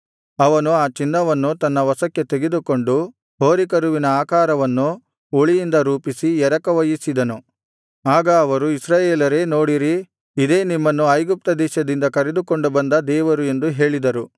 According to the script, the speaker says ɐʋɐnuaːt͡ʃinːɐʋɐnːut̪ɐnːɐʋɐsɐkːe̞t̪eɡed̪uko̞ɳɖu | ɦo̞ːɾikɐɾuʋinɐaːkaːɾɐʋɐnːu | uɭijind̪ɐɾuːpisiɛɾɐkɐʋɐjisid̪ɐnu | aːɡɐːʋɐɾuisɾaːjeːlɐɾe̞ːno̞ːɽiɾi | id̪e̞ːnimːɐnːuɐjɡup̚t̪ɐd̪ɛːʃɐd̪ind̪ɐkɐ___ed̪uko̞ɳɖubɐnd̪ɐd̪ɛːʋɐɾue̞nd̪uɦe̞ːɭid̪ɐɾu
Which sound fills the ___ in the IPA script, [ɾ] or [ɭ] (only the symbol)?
ɾ